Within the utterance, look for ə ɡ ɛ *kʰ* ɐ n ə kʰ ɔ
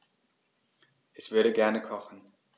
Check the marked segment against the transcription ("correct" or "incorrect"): incorrect